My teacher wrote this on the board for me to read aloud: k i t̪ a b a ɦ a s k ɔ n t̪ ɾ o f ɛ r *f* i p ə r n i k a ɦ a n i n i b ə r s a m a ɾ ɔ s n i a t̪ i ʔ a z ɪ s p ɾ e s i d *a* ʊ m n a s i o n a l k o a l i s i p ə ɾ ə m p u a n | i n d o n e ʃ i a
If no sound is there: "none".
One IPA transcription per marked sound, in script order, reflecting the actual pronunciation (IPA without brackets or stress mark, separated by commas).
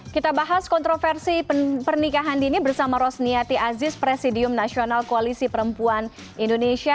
s, i